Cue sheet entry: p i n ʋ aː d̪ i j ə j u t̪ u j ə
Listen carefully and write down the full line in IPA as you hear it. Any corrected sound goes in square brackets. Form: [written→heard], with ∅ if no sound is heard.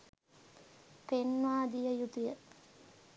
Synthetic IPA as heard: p [i→e] n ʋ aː d̪ i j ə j u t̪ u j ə